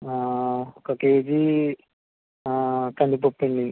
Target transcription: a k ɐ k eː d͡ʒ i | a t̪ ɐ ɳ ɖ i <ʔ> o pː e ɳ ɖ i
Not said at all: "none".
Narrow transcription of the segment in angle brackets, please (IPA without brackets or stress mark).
p